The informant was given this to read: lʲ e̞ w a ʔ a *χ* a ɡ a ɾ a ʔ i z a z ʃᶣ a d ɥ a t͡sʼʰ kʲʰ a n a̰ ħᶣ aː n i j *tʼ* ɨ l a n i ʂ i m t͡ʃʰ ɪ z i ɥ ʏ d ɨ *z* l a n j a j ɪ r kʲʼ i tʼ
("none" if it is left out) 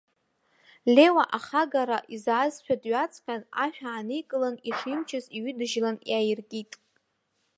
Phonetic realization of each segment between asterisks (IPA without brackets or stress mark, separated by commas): χ, kʼ, ʒ